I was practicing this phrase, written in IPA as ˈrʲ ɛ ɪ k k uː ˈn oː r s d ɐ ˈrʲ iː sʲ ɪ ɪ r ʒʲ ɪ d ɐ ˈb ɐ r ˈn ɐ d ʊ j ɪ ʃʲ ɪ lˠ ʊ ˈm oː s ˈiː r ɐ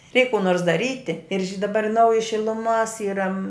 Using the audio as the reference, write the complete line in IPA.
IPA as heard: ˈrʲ ɛ ɪ k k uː ˈn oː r s d ɐ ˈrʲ iː tʲ ɪ ɪ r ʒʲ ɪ d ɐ ˈb ɐ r ˈn ɐ ʊ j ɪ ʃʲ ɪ lˠ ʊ ˈm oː s ˈiː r ɐ